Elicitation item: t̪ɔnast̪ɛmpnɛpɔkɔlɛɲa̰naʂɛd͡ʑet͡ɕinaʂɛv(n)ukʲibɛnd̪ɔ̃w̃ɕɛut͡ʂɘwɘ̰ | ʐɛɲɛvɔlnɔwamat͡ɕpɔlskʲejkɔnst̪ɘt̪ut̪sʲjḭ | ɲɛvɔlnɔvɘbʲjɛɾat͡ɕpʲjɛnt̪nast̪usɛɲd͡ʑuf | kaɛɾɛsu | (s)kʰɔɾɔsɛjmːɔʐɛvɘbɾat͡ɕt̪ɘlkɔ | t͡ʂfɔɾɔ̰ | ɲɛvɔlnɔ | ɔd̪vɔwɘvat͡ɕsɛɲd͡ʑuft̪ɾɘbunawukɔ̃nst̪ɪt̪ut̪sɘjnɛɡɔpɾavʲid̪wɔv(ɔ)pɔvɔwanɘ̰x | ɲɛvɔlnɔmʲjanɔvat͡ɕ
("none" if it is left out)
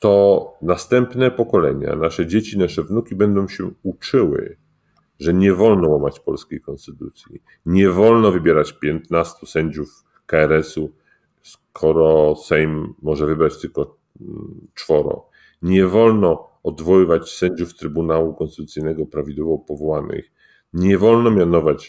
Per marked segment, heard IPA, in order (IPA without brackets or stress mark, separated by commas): n, s, ɔ